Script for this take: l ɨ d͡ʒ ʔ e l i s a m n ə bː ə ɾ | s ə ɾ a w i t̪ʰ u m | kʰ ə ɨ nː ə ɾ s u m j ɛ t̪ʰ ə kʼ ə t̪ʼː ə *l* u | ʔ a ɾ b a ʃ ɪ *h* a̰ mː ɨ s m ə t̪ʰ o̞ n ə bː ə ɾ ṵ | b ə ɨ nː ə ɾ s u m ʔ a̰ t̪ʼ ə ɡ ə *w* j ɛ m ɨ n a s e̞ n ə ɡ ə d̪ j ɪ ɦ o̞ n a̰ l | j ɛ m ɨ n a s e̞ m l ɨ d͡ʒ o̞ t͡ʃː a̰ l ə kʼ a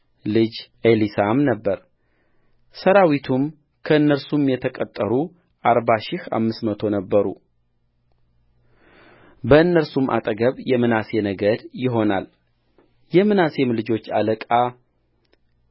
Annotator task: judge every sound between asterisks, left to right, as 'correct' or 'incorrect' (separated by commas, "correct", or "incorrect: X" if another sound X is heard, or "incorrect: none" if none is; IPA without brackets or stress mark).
incorrect: ɾ, correct, incorrect: β